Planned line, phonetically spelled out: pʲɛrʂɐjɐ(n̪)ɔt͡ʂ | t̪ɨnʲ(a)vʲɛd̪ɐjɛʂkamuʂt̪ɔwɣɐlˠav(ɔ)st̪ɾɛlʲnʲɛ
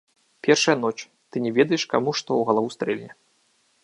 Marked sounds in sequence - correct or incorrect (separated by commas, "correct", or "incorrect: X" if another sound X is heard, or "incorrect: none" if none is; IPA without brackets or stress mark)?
correct, incorrect: ɛ, incorrect: u